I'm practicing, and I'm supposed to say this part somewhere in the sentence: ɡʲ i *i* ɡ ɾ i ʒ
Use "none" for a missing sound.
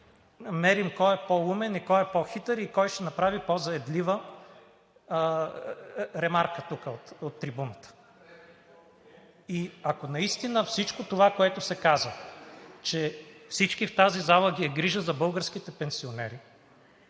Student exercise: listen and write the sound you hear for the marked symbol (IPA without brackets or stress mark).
ɛ